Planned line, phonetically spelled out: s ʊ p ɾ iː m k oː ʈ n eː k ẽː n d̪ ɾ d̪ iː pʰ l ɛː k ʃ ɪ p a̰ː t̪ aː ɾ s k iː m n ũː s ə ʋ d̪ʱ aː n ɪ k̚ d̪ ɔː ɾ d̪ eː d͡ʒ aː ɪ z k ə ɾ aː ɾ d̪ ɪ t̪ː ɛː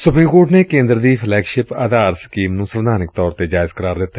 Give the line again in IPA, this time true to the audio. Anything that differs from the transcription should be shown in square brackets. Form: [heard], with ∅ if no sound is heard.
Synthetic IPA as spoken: s ʊ p ɾ iː m k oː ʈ n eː k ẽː n d̪ ɾ d̪ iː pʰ l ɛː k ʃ ɪ p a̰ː [d̪] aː ɾ s k iː m n ũː s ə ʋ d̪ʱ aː n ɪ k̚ [t̪] ɔː ɾ [t̪] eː d͡ʒ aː ɪ z k ə ɾ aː ɾ d̪ ɪ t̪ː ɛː